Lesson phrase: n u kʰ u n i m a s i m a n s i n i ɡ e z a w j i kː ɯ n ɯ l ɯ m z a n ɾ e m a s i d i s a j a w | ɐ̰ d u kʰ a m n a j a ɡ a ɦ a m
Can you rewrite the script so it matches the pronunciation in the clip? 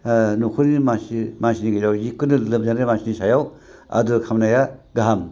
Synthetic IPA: n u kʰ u n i m a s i m a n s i n i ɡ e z a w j i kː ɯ n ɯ l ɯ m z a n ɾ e m a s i n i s a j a w | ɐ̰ d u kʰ a m n a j a ɡ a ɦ a m